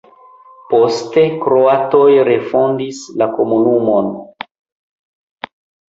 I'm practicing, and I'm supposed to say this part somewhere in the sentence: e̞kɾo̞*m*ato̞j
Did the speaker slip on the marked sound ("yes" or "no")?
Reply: yes